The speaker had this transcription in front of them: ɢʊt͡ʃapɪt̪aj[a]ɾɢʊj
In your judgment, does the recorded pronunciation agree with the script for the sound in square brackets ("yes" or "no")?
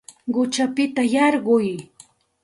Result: no